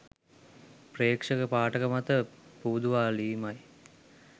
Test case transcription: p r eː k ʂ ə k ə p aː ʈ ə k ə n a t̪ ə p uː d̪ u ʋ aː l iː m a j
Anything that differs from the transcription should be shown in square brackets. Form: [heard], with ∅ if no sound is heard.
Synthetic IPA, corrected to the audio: p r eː k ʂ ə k ə p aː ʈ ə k ə [m] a t̪ ə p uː d̪ u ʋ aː l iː m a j